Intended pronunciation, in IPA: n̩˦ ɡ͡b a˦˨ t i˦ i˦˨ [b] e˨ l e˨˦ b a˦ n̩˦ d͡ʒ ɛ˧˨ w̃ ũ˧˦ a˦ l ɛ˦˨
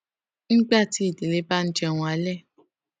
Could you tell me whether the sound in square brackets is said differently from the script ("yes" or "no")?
yes